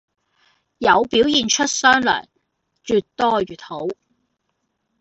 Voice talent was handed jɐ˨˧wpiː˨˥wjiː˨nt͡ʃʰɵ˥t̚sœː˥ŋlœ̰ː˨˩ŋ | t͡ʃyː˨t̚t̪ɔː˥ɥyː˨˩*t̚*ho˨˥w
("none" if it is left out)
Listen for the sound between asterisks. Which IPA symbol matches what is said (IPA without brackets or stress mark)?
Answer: t̚